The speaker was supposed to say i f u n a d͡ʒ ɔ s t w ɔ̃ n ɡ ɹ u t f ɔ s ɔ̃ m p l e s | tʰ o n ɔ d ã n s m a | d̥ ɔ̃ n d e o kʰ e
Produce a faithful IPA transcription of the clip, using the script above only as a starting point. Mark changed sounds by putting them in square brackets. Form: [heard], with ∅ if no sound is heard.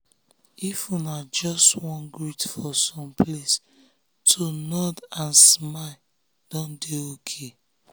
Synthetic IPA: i f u n a d͡ʒ ɔ s t w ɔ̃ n ɡ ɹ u t f ɔ s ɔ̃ m p l e s | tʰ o n ɔ d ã n s m a | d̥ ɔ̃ n d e o kʰ e